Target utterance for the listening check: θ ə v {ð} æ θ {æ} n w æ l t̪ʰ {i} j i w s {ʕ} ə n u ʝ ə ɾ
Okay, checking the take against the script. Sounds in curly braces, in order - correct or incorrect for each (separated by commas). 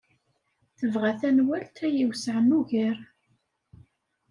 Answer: incorrect, correct, incorrect, correct